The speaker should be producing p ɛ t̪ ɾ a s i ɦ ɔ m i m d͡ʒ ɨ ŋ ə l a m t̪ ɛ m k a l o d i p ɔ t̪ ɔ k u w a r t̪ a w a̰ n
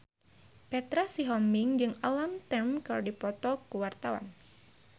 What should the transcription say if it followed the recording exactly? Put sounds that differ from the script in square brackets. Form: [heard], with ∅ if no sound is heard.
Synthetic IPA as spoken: p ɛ t̪ ɾ a s i ɦ ɔ m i [ŋ] d͡ʒ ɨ ŋ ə l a m t̪ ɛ m k a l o d i p ɔ t̪ ɔ k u w a r t̪ a w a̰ n